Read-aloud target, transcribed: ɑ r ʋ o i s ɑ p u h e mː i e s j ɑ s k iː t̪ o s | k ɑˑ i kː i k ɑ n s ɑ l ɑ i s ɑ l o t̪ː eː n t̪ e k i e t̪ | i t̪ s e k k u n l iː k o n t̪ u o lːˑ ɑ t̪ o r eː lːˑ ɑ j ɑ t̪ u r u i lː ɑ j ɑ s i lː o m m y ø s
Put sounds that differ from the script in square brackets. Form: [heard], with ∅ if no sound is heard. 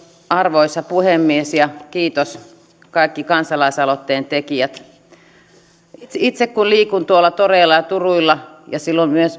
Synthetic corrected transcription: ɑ r ʋ o i s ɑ p u h e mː i e s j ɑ [∅] k iː t̪ o s | k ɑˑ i kː i k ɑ n s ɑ l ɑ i s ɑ l o t̪ː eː n t̪ e k i [æ] t̪ | i t̪ s e k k u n l iː k [u] n t̪ u o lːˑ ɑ t̪ o r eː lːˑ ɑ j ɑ t̪ u r u i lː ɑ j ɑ s i lː o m m y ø s